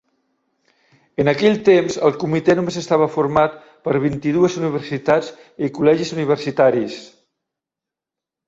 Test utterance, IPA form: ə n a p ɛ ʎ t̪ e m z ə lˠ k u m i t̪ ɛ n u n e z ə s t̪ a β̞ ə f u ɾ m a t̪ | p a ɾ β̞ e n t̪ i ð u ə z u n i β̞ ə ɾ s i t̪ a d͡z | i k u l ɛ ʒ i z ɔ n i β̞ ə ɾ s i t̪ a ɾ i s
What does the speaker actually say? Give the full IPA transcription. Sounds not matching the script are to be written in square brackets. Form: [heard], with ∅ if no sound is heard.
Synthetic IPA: ə n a [k] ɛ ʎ t̪ e m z ə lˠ k u m i t̪ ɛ n u [m] e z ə s t̪ a β̞ ə f u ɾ m a t̪ | p [ə] ɾ β̞ [i] n t̪ i ð u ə z u n i β̞ ə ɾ s i t̪ a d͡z | i k u l ɛ ʒ i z [u] n i β̞ ə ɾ s i t̪ a ɾ i s